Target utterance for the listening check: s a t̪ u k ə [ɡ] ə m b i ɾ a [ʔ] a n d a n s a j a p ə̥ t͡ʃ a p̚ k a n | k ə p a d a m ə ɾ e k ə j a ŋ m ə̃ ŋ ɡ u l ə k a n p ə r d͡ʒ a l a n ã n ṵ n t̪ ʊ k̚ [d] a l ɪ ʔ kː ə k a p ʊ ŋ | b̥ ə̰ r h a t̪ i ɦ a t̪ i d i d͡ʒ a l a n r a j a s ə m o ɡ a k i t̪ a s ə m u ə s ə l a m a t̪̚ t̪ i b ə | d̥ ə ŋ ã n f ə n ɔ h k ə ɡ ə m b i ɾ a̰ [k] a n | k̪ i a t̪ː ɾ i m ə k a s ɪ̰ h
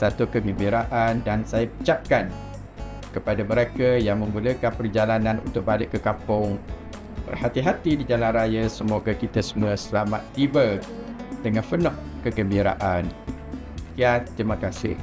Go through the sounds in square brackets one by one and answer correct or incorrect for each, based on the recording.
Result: correct, correct, incorrect: b, incorrect: ʔ

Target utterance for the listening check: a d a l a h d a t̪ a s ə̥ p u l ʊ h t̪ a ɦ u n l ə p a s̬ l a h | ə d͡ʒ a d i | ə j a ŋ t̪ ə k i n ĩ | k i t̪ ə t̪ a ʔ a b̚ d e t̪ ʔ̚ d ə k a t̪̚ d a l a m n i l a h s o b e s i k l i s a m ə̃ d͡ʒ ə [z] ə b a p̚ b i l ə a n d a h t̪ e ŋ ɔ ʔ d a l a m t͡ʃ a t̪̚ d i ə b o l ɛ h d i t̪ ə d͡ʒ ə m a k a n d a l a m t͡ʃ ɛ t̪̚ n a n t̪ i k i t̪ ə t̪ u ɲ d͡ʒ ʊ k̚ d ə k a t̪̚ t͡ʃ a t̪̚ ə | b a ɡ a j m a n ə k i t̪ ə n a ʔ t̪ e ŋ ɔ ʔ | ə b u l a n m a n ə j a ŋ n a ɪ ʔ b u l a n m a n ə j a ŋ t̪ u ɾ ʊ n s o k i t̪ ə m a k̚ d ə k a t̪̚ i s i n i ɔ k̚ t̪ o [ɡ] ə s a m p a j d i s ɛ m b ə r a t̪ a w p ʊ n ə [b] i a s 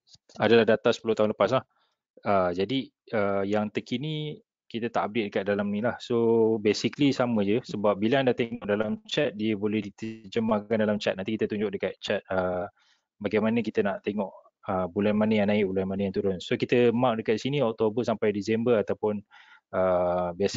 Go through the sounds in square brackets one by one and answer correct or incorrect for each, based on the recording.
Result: incorrect: s, incorrect: b, correct

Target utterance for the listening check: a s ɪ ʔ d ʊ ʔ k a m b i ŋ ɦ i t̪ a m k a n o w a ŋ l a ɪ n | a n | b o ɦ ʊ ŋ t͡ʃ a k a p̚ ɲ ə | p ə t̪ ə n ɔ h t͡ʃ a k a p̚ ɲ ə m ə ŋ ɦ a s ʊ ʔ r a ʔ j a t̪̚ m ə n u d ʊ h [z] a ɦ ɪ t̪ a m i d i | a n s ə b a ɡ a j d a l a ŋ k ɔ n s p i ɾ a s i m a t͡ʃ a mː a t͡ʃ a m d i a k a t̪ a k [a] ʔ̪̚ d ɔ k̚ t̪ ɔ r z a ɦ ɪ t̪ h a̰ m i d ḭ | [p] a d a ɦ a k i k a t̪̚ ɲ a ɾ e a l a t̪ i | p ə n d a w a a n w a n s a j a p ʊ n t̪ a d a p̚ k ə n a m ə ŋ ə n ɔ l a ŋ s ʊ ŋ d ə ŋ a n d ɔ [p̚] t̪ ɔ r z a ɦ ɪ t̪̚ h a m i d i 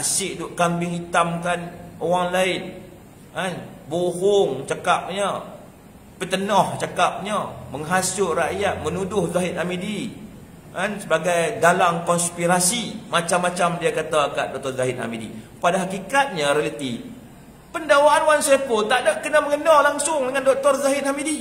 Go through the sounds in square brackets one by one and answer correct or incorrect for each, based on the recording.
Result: correct, correct, correct, incorrect: k̚

